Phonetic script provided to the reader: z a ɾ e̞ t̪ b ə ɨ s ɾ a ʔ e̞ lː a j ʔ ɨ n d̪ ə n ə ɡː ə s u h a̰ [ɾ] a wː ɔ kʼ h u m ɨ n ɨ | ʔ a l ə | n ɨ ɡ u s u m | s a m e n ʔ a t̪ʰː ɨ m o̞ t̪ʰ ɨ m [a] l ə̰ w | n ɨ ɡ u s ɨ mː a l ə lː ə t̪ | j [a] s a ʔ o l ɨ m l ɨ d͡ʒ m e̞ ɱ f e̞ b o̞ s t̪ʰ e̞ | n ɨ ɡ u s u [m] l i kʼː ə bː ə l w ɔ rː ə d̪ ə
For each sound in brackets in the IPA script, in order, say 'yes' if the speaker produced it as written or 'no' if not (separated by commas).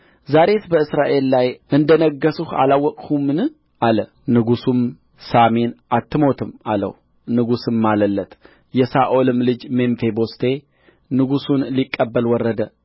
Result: no, yes, no, no